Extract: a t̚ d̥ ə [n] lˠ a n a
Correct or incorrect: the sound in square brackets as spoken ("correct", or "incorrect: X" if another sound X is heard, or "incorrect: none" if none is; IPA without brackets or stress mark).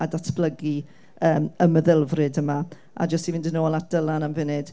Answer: incorrect: none